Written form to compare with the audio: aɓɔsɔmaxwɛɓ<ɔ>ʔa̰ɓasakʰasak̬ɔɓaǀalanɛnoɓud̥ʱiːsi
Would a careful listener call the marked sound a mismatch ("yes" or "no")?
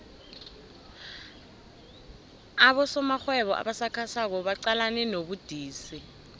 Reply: no